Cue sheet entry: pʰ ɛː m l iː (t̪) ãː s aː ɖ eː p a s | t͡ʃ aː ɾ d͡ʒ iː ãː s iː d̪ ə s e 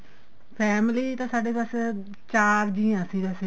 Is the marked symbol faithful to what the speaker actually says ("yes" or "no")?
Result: yes